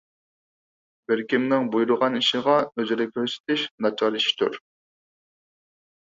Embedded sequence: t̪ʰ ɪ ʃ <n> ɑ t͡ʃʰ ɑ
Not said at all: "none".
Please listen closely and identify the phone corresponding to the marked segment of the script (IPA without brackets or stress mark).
n